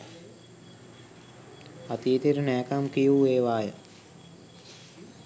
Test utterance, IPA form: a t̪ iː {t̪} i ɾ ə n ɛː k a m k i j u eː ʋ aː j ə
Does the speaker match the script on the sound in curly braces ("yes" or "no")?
yes